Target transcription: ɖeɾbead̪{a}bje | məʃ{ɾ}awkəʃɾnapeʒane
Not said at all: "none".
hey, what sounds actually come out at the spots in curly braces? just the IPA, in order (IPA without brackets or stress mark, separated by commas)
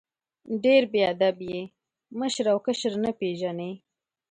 a, ɾ